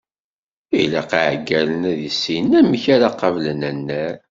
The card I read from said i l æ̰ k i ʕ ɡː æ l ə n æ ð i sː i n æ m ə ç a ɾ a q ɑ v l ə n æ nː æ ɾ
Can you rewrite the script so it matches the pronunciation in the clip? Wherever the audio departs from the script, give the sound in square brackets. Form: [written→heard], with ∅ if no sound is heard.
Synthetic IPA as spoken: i l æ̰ [k→q] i ʕ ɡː æ l ə n æ ð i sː i n æ m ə ç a ɾ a q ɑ v l ə n æ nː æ ɾ